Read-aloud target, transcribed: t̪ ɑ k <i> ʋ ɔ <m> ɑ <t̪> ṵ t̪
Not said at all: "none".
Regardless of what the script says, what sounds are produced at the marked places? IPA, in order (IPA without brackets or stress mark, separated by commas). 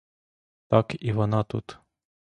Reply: i, n, t̪